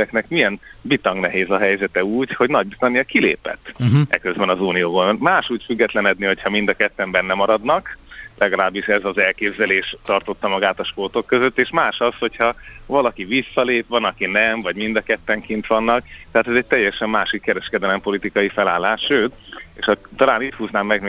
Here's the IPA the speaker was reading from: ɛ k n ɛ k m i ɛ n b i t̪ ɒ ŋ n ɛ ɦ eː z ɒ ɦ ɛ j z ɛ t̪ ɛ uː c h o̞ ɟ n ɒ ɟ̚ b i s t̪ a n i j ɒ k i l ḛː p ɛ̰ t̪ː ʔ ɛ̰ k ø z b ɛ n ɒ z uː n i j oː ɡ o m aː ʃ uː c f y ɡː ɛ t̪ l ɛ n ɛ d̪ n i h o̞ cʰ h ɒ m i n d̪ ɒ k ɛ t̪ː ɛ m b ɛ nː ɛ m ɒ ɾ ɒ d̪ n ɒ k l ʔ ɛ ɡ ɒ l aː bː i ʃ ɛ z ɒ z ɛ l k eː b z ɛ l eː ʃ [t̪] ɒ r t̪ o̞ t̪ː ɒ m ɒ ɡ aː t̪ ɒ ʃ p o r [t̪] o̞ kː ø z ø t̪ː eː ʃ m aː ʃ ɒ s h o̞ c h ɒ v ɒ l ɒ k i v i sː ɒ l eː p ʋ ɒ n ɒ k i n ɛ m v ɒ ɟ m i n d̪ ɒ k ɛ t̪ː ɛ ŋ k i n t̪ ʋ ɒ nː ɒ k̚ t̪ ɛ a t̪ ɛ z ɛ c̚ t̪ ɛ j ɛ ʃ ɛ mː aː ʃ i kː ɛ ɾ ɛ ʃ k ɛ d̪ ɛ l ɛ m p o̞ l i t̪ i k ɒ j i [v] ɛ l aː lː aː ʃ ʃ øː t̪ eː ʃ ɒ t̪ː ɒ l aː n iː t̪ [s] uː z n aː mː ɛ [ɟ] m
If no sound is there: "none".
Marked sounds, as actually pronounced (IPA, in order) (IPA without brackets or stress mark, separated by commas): t̪, t̪, f, h, ɡ